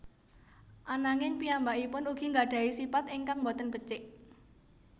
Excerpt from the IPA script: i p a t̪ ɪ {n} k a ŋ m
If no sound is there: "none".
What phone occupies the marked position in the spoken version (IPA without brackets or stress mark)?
ŋ